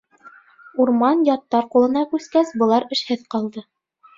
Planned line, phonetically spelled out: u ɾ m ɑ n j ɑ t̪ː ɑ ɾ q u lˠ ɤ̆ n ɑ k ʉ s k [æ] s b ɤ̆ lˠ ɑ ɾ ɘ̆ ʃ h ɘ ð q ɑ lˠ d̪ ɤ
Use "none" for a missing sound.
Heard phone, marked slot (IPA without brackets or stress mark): æ